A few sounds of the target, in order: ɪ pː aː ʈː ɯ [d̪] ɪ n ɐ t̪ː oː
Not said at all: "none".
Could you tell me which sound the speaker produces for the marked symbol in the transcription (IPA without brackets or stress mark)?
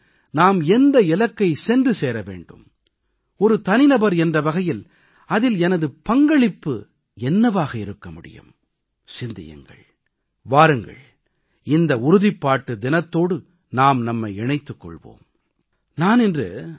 d̪